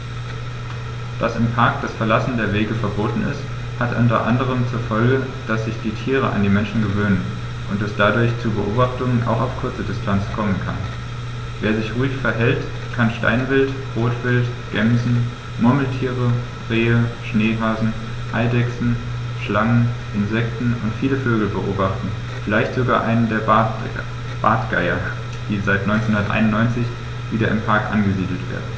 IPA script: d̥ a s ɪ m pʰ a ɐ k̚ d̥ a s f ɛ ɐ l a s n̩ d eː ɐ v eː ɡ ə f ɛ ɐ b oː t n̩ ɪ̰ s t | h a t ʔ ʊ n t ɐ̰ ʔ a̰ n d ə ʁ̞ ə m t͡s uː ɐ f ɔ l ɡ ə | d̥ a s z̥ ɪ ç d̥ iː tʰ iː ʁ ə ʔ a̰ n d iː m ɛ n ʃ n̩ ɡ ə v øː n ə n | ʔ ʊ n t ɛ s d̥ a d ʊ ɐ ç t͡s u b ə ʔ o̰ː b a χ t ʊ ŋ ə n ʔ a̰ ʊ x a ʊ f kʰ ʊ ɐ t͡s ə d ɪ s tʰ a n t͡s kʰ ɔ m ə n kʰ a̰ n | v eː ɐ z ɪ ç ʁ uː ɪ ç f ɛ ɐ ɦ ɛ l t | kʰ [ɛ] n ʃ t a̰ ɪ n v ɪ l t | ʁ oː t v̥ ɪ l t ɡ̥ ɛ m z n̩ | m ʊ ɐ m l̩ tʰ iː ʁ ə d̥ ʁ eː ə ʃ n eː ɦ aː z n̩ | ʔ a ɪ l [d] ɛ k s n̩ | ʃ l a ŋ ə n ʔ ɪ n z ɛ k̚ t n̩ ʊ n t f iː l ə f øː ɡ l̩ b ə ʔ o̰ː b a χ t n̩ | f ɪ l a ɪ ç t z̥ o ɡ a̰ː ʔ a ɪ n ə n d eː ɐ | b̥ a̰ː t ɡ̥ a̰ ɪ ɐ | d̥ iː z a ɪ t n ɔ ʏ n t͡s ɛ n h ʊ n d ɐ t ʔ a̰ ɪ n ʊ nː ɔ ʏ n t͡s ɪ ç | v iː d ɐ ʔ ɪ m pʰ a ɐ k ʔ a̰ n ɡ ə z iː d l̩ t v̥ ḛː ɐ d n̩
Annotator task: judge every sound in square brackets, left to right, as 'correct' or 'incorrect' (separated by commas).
incorrect, correct